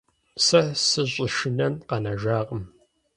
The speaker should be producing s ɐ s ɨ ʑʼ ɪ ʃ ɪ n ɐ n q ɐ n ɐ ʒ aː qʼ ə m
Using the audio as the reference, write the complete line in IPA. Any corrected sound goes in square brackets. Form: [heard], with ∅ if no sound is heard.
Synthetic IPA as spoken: s ɐ s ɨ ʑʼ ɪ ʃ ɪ n ɐ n q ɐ n ɐ ʒ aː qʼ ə m